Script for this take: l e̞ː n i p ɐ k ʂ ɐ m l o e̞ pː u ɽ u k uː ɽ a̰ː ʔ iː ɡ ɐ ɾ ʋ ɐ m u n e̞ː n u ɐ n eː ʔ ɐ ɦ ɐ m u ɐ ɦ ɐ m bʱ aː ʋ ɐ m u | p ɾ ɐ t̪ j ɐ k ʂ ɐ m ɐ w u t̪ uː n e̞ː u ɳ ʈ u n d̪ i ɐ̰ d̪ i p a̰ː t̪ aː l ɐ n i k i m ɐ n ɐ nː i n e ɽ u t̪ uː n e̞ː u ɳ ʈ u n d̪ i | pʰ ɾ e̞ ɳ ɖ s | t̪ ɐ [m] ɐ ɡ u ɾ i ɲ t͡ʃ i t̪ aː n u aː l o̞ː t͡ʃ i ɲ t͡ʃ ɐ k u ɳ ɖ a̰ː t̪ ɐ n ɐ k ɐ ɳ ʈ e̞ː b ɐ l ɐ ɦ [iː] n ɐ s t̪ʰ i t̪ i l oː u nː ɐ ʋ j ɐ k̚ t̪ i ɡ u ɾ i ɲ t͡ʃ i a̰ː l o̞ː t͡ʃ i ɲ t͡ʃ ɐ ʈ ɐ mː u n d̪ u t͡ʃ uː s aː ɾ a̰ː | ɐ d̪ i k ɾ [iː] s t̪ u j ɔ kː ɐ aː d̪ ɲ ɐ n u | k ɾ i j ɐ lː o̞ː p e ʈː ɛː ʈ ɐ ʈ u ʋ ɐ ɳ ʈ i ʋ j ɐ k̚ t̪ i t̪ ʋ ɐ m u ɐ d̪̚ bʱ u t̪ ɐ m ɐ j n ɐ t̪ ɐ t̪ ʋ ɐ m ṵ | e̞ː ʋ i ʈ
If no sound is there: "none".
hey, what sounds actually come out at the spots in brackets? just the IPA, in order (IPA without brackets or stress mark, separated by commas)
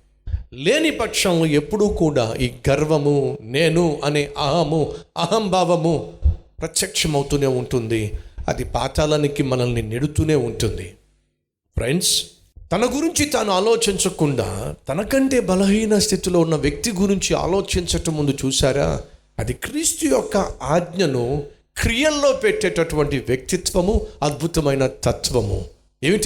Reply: n, iː, iː